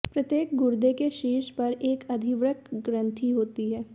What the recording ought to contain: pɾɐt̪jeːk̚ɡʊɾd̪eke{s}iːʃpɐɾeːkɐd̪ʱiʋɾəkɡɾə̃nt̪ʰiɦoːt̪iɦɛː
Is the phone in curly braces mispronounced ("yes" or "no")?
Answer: yes